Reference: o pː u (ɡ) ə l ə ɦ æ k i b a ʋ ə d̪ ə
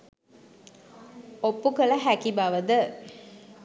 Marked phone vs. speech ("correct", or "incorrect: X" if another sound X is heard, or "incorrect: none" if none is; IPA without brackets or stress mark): incorrect: k